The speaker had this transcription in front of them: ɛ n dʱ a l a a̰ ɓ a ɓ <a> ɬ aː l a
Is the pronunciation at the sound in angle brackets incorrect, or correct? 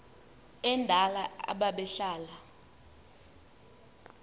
incorrect